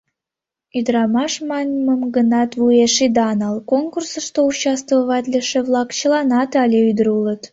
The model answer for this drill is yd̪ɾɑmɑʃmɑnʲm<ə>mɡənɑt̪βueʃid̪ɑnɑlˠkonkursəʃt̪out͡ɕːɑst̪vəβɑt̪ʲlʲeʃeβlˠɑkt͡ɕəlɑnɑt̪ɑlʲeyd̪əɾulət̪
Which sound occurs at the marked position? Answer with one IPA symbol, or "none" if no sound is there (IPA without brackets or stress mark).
ə